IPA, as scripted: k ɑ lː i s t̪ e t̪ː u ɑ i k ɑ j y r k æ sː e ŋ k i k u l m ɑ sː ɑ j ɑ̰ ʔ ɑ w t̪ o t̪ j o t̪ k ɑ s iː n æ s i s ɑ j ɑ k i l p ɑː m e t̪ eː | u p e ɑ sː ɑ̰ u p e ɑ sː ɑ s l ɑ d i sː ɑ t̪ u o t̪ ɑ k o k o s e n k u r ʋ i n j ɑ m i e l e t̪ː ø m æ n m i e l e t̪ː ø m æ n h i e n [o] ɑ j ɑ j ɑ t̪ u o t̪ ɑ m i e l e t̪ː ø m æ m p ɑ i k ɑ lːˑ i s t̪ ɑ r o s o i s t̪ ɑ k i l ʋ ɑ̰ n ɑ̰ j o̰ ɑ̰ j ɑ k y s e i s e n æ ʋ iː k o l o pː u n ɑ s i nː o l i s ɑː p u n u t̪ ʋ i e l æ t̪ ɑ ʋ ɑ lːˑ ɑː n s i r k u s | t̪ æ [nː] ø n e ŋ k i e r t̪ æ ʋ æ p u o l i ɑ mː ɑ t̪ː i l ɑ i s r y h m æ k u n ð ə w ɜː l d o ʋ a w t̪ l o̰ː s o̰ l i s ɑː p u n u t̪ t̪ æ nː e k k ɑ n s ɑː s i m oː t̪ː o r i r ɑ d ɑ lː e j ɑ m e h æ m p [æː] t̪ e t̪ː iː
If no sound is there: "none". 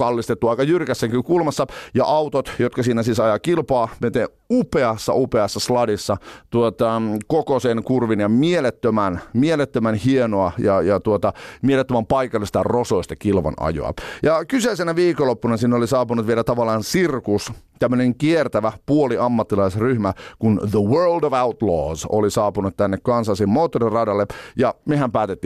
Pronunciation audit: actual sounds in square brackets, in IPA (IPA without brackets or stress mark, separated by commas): o, mː, æː